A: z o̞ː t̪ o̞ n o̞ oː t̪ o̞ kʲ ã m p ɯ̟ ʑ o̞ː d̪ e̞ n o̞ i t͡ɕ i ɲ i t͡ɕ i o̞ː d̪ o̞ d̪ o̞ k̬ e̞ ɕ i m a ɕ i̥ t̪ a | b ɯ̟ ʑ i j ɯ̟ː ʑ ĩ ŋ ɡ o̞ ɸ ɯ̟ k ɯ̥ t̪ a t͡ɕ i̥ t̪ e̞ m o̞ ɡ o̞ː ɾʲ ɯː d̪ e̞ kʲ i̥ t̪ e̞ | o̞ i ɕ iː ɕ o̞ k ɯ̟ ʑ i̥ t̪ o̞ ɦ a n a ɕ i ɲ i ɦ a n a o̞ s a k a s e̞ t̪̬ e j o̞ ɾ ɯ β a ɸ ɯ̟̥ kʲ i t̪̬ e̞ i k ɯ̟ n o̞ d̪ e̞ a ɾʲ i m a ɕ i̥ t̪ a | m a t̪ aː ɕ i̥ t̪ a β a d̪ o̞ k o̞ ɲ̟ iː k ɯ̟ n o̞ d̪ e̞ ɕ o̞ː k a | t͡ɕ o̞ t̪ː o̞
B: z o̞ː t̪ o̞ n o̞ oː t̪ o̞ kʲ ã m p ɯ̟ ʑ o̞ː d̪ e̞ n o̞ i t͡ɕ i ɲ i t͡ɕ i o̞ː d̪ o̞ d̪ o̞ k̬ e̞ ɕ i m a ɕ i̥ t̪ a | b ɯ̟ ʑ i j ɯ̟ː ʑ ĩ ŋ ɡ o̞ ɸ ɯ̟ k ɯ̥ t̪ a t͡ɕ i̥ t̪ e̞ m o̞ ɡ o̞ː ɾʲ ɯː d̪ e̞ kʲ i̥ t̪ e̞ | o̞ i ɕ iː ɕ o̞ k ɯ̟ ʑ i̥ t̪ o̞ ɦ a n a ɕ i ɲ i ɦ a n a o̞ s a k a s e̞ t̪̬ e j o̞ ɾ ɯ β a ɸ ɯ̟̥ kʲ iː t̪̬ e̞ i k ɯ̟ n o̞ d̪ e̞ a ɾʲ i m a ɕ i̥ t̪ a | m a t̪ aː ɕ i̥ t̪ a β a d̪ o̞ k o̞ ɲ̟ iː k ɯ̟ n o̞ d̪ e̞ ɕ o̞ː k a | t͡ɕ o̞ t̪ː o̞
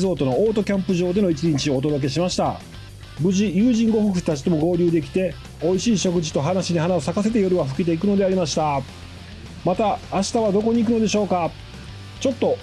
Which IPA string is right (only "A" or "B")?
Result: A